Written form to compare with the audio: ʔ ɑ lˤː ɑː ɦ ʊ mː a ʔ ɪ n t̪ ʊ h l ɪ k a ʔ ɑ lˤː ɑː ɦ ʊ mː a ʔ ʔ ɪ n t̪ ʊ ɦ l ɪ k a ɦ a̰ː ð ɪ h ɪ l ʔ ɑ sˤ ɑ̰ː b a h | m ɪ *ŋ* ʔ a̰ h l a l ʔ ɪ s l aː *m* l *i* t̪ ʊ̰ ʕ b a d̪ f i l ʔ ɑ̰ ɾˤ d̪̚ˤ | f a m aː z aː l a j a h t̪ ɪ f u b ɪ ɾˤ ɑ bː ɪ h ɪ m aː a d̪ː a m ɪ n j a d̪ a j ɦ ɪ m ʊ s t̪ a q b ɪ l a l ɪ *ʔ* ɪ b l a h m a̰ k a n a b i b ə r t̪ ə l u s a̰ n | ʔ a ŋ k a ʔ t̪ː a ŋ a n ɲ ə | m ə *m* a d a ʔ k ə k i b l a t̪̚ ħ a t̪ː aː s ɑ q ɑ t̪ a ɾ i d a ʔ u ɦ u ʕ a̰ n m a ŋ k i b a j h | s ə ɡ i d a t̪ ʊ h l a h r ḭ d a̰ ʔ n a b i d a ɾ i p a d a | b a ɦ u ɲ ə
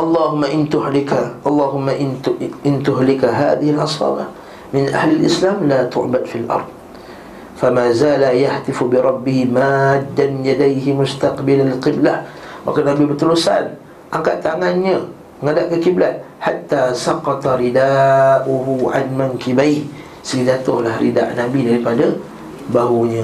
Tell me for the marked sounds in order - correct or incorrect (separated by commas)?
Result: incorrect, correct, incorrect, incorrect, incorrect